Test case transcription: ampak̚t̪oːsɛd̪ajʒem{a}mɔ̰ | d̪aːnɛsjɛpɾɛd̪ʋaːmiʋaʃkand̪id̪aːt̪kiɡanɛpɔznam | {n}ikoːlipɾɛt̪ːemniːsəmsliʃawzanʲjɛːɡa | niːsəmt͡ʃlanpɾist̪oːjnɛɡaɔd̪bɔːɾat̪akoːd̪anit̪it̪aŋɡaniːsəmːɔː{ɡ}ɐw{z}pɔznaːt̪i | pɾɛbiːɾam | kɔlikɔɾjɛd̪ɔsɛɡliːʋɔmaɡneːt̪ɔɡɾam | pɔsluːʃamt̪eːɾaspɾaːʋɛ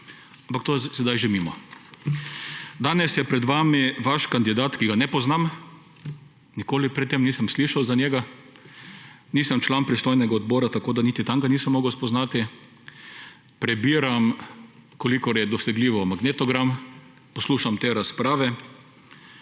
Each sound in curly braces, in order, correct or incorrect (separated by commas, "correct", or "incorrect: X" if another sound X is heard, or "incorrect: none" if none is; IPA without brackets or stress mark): incorrect: i, correct, correct, incorrect: s